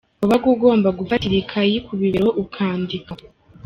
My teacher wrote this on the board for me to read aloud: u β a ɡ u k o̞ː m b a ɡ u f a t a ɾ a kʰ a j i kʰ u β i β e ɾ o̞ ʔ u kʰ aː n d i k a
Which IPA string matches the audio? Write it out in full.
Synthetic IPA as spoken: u β a ɡ u ɡ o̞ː m b a ɡ u f a t i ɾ i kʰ a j i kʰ u β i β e ɾ o̞ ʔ u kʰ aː n d i k a